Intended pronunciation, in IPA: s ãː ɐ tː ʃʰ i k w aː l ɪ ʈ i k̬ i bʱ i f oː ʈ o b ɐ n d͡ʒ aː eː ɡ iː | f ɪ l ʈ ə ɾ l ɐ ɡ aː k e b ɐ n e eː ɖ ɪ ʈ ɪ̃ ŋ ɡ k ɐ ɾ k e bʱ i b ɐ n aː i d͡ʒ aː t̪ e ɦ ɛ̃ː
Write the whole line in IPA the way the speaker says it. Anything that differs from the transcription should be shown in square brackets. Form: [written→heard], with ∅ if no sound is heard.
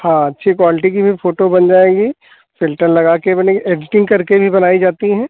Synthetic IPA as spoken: [s→h] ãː ɐ tː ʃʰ i k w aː l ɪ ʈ i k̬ i bʱ i f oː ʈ o b ɐ n d͡ʒ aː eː ɡ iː | f ɪ l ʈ ə ɾ l ɐ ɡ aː k e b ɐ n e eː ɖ ɪ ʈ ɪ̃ ŋ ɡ k ɐ ɾ k e bʱ i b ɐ n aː i d͡ʒ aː t̪ [e→i] ɦ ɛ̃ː